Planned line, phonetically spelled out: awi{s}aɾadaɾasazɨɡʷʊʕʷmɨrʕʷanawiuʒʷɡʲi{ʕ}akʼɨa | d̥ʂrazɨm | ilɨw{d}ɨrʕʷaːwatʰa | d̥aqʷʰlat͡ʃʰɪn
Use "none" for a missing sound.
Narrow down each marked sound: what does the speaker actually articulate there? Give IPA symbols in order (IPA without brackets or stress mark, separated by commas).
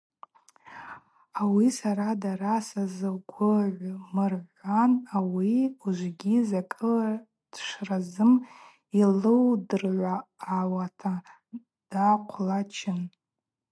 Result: s, z, d